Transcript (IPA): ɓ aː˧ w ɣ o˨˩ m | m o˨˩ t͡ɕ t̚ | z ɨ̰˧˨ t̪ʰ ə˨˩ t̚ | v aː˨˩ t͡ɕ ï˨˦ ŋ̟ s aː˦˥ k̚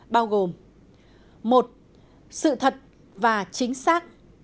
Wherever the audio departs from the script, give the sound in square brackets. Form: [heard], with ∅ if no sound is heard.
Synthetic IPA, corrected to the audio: ɓ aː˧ w ɣ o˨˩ m | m o˨˩ [∅] t̚ | [s] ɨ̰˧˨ t̪ʰ ə˨˩ t̚ | v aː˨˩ t͡ɕ ï˨˦ ŋ̟ s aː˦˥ k̚

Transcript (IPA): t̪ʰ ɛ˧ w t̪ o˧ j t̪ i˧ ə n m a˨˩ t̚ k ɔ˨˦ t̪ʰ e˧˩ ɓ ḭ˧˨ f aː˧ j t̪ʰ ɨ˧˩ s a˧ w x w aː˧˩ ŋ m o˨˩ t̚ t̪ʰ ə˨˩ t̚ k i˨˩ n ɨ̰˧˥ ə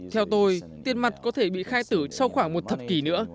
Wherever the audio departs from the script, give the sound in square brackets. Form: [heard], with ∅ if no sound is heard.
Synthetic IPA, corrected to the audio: t̪ʰ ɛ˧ w t̪ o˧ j t̪ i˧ ə n m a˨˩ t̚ k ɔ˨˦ t̪ʰ e˧˩ ɓ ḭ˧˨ [x] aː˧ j [t̪] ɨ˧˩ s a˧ w x w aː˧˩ ŋ m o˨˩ t̚ t̪ʰ ə˨˩ [p̚] k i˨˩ n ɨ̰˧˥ ə

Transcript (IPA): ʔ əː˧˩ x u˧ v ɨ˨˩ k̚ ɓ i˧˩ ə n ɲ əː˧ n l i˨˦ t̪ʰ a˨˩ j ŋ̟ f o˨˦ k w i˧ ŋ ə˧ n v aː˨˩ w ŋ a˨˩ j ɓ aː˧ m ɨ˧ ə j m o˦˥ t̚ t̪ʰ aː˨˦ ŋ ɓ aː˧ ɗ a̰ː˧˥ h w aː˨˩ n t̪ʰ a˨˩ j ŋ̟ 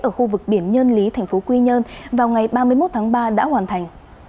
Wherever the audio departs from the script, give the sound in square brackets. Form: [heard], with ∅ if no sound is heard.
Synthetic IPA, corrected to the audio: ʔ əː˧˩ x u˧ v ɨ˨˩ k̚ ɓ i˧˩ ə n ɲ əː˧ n l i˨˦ t̪ʰ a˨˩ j ŋ̟ f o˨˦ k w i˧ [ɲ] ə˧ n v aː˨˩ w ŋ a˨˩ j ɓ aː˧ m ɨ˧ ə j m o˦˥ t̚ t̪ʰ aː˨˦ ŋ ɓ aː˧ ɗ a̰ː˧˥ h w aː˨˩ n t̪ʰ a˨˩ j ŋ̟

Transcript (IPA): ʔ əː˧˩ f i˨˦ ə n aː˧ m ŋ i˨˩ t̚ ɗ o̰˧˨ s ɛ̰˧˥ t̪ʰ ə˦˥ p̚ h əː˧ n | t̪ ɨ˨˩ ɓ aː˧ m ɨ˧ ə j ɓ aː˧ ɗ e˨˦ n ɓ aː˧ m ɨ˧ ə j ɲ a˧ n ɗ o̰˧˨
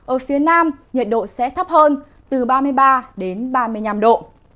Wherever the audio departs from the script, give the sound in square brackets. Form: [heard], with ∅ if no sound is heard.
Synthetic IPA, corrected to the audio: ʔ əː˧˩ f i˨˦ ə n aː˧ m [ɲ] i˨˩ t̚ ɗ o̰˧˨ s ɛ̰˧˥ t̪ʰ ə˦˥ p̚ h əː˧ n | t̪ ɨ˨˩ ɓ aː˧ m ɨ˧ ə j ɓ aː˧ ɗ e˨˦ n ɓ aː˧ m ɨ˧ ə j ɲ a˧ [m] ɗ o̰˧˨

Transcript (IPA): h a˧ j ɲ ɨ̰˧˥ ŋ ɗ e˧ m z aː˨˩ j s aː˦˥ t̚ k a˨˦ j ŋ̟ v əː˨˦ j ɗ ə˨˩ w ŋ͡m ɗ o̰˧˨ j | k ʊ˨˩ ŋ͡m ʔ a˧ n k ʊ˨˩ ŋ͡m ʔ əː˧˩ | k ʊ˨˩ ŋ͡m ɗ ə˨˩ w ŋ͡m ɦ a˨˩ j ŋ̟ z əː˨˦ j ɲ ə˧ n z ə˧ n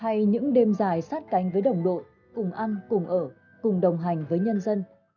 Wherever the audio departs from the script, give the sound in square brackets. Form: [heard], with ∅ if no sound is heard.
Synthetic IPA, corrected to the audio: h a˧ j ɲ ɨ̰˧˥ ŋ ɗ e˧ m z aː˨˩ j s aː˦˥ t̚ k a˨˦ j ŋ̟ v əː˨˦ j ɗ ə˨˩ w ŋ͡m ɗ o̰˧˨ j | k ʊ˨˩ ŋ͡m ʔ a˧ n k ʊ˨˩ ŋ͡m ʔ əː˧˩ | k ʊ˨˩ ŋ͡m ɗ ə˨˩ w ŋ͡m ɦ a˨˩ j ŋ̟ [v] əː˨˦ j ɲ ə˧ n z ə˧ n

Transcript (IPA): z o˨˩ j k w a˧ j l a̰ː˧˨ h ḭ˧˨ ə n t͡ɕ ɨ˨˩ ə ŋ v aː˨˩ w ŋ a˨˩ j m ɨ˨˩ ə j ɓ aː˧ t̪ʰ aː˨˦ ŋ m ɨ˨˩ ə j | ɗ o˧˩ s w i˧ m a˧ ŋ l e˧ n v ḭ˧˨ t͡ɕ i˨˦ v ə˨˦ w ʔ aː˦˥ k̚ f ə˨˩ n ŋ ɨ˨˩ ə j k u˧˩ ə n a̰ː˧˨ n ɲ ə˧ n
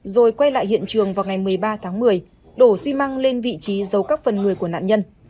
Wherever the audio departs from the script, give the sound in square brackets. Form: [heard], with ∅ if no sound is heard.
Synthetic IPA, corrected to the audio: z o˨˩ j k w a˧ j l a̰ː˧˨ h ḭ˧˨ ə n t͡ɕ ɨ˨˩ ə ŋ v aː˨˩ w ŋ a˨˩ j m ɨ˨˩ ə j ɓ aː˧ t̪ʰ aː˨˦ ŋ m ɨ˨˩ ə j | ɗ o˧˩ s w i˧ m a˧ ŋ l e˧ n v ḭ˧˨ t͡ɕ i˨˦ [z] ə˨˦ w [k] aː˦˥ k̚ f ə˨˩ n ŋ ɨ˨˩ ə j k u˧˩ ə n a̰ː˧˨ n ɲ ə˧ n

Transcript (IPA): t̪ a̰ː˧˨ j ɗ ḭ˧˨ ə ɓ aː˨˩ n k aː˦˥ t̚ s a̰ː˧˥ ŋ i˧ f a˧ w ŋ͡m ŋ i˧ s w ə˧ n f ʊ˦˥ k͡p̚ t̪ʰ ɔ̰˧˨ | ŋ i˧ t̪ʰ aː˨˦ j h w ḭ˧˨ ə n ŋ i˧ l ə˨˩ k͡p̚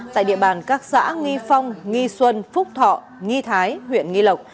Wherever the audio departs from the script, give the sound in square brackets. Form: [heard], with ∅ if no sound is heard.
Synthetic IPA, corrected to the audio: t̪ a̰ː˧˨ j ɗ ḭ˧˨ ə ɓ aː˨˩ n k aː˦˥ [k̚] s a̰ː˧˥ ŋ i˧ f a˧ w ŋ͡m ŋ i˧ s w ə˧ n f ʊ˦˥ k͡p̚ t̪ʰ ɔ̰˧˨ | ŋ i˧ t̪ʰ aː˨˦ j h w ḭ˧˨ ə n ŋ i˧ l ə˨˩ k͡p̚

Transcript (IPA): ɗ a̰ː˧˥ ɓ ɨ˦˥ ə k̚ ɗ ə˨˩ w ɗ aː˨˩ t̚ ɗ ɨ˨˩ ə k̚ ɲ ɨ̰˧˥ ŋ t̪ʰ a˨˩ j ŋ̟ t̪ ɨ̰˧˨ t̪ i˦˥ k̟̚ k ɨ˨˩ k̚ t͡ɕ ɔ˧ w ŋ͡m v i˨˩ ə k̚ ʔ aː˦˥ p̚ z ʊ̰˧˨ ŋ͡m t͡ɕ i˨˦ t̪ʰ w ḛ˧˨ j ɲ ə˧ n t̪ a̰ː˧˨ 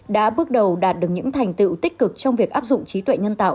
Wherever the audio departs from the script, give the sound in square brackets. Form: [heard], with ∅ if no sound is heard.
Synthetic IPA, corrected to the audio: ɗ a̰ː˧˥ ɓ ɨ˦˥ ə k̚ ɗ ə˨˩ w ɗ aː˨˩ t̚ ɗ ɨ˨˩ ə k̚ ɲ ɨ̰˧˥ ŋ t̪ʰ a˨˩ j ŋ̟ t̪ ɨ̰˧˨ t̪ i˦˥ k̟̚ k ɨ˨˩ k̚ t͡ɕ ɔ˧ w ŋ͡m v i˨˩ ə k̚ ʔ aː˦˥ p̚ z ʊ̰˧˨ ŋ͡m t͡ɕ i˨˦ [t̪] w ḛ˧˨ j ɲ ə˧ n t̪ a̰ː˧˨

